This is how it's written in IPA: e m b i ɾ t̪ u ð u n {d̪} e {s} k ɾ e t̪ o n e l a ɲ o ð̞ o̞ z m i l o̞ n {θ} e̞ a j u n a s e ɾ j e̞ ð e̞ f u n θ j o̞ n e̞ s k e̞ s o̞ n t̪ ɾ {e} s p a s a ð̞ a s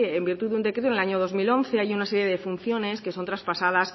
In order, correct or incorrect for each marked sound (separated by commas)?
correct, incorrect, correct, incorrect